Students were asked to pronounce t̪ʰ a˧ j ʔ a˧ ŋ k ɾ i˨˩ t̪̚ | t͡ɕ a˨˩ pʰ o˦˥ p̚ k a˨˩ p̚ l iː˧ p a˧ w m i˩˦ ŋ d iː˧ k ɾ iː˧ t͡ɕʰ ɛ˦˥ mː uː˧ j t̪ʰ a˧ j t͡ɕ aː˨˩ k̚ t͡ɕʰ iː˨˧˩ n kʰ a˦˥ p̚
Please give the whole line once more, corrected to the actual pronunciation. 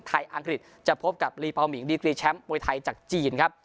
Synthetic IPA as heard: t̪ʰ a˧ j ʔ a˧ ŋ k ɾ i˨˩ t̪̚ | t͡ɕ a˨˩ pʰ o˦˥ p̚ k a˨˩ p̚ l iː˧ p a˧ w m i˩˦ ŋ d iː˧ k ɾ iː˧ t͡ɕʰ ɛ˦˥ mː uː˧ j t̪ʰ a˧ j t͡ɕ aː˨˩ k̚ t͡ɕ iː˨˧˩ n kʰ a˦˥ p̚